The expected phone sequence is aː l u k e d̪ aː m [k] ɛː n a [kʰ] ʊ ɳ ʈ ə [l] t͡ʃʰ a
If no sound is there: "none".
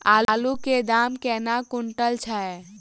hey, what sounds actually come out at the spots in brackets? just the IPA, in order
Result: k, k, l

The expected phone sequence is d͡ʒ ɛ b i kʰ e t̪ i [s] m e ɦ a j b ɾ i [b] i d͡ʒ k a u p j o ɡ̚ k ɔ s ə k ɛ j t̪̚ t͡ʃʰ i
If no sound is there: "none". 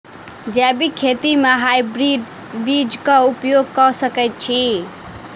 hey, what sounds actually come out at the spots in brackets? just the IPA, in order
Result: none, b

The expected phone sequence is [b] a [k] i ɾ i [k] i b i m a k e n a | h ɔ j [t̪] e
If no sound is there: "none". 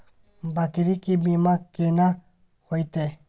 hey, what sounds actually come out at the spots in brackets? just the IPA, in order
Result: b, k, k, t̪

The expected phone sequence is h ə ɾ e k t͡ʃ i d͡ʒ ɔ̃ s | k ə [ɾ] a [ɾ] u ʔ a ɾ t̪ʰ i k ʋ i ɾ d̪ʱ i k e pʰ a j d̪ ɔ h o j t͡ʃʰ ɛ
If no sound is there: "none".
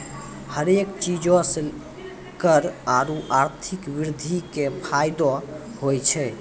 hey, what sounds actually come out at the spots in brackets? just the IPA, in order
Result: ɾ, ɾ

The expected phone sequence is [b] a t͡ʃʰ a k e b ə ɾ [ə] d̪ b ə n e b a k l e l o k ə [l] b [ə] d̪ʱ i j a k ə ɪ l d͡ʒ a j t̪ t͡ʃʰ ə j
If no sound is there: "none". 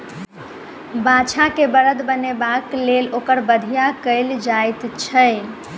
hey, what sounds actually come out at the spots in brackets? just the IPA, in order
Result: b, ə, ɾ, ə

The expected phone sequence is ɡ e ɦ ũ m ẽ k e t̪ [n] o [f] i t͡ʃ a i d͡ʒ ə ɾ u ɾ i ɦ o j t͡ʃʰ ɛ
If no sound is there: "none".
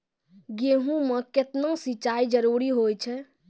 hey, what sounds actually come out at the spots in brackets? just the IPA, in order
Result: n, s

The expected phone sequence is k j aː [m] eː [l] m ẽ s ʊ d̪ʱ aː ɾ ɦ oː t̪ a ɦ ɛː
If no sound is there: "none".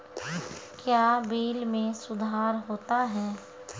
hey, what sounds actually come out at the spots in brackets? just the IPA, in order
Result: b, l

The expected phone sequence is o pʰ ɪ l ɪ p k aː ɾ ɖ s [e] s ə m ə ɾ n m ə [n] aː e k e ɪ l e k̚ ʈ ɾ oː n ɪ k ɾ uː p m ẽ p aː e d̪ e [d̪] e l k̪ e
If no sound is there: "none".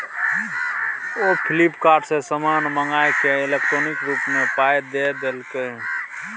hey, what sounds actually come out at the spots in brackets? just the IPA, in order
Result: e, ŋ, d̪

